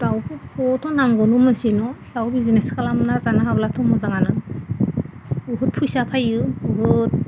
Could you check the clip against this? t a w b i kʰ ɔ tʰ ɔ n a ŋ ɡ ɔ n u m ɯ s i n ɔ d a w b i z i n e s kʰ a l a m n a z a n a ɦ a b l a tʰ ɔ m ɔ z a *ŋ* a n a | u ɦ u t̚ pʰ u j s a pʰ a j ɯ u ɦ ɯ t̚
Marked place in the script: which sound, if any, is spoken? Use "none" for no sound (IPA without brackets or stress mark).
ŋ